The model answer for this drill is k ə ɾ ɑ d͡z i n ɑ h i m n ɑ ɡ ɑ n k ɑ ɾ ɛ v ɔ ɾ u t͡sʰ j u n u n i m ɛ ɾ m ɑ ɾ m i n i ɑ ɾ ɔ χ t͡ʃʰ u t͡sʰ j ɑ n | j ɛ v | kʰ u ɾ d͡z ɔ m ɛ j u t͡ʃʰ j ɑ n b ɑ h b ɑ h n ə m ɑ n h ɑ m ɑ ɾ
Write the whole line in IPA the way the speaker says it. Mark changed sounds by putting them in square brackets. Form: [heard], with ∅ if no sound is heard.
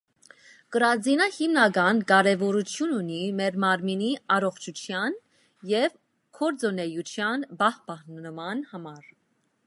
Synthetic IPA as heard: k ə ɾ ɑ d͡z i n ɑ h i m n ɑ ɡ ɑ n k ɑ ɾ ɛ v ɔ ɾ u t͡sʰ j u n u n i m ɛ ɾ m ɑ ɾ m i n i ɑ ɾ ɔ χ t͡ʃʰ u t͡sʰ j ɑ n | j ɛ v | kʰ [ɔ] ɾ d͡z ɔ [n] ɛ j u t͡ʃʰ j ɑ n b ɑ h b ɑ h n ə m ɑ n h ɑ m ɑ ɾ